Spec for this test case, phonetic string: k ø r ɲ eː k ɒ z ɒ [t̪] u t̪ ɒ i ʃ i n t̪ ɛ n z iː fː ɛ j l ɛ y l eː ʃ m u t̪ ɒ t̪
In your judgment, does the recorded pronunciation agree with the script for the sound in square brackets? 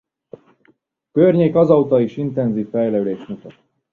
no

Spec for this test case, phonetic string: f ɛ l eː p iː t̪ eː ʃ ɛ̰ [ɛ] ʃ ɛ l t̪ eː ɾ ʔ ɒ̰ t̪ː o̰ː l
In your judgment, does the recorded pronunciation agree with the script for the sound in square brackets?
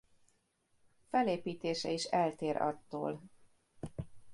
no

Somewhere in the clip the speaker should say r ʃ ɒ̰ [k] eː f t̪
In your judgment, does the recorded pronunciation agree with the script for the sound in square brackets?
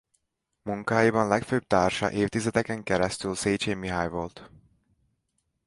no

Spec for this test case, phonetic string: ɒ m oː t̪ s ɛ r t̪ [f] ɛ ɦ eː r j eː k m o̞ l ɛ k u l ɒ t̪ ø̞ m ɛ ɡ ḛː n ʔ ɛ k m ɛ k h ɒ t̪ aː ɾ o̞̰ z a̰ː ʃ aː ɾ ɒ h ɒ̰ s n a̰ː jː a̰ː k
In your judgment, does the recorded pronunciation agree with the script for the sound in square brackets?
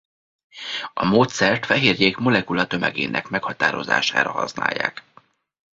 yes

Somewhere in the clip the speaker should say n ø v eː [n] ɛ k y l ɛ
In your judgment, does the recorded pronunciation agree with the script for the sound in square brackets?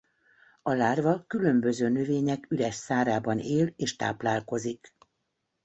no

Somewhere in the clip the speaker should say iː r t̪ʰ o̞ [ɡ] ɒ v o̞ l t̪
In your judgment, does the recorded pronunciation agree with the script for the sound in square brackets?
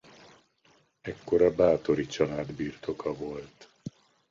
no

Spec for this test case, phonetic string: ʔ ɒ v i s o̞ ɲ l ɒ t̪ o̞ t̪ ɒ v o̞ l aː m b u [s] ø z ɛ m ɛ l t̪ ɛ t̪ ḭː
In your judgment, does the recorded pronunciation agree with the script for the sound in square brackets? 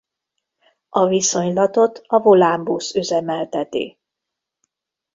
yes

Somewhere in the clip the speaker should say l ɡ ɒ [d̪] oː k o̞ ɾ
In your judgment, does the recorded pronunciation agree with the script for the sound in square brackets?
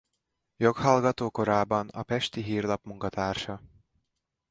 no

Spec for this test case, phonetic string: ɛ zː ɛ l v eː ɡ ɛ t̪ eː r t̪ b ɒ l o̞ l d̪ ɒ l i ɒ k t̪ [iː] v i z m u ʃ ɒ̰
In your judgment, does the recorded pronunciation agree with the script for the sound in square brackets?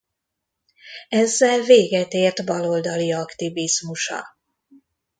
no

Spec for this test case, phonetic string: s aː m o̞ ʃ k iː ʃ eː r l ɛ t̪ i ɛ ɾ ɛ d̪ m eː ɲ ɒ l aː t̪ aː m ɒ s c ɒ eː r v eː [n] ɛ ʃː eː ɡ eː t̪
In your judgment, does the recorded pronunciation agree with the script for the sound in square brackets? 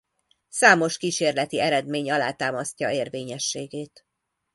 no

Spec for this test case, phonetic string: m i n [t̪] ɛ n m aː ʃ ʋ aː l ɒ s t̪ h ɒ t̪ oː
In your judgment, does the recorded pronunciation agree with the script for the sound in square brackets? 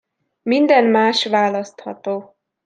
no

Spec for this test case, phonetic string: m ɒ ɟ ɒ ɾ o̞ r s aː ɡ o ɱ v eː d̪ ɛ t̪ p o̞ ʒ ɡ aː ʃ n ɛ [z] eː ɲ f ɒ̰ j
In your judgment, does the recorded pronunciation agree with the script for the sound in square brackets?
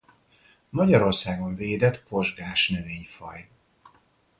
no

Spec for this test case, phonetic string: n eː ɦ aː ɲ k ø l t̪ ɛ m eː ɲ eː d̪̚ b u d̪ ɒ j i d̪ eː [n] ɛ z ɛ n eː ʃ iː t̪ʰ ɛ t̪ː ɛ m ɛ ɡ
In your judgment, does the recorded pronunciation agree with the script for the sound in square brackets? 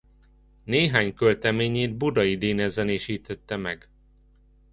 yes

